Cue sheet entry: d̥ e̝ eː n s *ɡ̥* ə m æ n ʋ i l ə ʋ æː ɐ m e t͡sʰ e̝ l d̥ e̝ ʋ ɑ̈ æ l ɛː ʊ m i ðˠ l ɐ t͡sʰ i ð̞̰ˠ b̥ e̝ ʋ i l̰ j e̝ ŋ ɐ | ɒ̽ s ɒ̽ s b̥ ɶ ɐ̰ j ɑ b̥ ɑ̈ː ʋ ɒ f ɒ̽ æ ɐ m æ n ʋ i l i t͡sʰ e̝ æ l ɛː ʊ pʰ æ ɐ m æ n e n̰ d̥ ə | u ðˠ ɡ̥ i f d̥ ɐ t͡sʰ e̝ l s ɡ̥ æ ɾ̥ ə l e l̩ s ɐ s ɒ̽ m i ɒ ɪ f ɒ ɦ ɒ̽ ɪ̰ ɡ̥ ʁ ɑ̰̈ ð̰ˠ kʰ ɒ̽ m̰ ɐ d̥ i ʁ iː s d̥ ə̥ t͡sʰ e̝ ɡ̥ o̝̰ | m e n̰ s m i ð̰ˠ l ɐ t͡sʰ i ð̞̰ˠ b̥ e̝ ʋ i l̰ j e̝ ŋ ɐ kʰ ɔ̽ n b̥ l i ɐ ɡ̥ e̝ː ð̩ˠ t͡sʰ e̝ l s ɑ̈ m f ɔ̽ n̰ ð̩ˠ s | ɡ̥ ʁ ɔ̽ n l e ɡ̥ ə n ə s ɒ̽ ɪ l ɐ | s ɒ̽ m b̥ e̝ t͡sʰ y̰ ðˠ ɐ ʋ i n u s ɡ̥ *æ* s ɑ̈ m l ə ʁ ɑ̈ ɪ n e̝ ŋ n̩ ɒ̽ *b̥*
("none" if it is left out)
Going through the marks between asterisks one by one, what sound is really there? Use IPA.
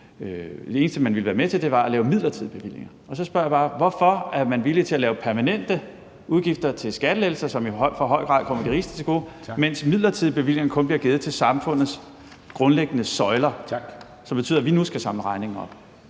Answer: d̥, æ, b̥

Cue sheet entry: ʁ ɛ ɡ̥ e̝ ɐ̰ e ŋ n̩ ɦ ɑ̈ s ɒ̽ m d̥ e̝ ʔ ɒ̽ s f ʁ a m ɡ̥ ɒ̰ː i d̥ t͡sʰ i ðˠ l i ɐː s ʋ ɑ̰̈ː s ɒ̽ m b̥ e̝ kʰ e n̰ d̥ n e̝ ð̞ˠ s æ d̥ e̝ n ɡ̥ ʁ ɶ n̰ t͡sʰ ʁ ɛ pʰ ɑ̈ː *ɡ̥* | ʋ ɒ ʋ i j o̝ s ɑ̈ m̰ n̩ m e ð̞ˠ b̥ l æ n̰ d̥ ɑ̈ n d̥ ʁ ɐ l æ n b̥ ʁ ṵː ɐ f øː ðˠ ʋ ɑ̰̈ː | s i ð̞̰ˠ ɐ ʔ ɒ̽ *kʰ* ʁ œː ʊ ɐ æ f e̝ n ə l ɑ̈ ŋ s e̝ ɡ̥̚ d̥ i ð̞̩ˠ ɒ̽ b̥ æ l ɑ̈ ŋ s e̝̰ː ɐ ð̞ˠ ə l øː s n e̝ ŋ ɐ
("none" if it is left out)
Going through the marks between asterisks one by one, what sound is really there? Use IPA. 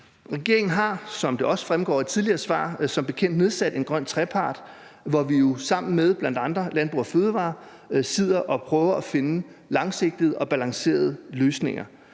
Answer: d̥, pʰ

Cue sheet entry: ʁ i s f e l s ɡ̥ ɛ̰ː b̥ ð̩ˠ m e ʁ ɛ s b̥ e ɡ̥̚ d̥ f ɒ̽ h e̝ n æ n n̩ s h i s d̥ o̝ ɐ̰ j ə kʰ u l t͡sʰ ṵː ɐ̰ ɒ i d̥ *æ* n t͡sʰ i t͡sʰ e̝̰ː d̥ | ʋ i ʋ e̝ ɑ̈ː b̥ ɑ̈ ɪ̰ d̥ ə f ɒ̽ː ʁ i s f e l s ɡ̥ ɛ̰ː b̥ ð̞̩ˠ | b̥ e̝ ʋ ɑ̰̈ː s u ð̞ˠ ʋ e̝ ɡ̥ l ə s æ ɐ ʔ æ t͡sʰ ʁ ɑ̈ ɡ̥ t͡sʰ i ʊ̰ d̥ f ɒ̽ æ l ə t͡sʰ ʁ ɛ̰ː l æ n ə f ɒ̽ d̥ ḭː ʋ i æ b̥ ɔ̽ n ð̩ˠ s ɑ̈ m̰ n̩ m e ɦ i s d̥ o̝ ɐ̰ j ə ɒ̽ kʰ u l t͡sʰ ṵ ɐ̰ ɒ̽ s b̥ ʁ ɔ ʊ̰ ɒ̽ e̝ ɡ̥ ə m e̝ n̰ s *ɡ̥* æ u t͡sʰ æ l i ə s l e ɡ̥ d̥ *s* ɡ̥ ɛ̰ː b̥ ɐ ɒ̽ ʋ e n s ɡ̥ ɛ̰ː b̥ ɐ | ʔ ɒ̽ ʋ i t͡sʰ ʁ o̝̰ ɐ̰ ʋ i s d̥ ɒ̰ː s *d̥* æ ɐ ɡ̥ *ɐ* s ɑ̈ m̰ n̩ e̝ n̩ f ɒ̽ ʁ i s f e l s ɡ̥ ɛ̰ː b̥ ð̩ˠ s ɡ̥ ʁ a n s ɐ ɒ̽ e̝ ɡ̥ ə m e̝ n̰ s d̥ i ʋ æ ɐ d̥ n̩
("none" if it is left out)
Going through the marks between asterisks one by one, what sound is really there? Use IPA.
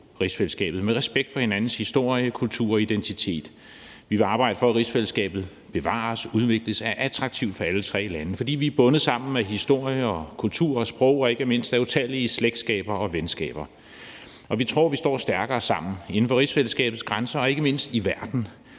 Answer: e, d̥, s, d̥, ɐː

